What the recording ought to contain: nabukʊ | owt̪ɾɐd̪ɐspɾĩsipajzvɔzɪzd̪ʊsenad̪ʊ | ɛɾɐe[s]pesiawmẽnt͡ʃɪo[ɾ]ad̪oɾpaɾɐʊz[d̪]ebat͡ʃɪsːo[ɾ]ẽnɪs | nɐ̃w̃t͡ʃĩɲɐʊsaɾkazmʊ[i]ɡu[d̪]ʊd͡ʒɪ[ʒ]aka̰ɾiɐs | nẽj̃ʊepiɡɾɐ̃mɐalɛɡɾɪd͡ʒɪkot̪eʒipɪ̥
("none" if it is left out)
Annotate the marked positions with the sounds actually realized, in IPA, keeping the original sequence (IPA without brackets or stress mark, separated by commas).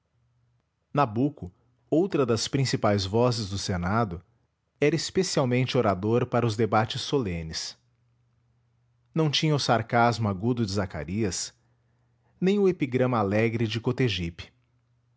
s, ɾ, d̪, l, a, d̪, z